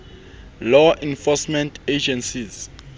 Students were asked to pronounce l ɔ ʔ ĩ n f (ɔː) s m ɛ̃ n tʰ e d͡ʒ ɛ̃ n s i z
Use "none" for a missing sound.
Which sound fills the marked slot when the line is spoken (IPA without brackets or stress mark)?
ɔ